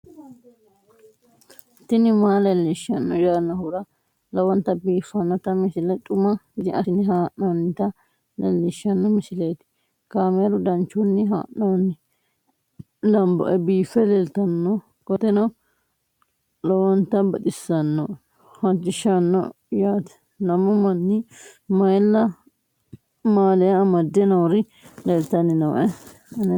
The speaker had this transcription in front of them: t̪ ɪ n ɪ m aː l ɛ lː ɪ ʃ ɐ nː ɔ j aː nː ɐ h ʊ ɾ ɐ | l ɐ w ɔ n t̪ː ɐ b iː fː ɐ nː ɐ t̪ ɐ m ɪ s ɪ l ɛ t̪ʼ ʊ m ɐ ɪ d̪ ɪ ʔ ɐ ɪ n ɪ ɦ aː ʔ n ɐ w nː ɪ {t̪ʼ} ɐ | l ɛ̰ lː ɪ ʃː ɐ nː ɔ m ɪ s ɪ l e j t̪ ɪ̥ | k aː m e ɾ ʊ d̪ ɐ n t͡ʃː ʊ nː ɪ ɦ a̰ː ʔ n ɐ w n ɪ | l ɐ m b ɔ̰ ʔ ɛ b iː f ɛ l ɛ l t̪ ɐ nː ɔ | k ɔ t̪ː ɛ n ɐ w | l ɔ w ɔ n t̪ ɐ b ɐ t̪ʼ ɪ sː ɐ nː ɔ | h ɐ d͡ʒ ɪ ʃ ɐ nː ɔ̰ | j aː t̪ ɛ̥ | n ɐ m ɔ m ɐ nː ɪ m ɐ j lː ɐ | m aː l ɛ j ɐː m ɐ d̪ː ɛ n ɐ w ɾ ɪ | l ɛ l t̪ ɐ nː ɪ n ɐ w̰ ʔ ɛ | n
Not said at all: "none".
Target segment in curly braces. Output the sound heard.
t̪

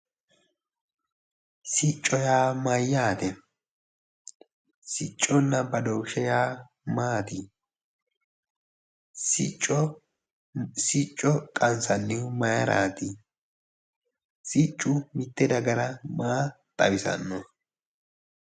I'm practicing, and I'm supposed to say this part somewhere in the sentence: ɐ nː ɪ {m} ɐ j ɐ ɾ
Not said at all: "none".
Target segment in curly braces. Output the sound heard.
m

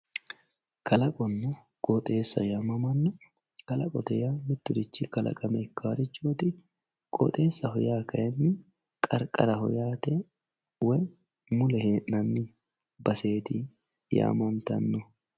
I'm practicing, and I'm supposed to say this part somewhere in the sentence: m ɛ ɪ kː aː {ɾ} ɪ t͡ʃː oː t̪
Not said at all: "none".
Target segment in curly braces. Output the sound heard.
ɾ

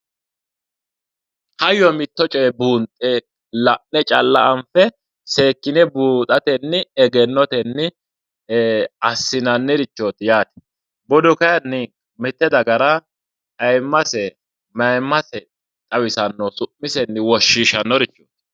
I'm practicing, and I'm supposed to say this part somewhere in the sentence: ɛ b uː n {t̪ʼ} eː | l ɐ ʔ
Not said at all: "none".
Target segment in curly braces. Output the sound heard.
t̪ʼ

